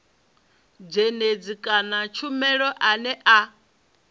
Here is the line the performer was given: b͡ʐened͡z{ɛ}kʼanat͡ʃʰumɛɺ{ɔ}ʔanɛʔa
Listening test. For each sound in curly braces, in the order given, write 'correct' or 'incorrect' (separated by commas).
incorrect, correct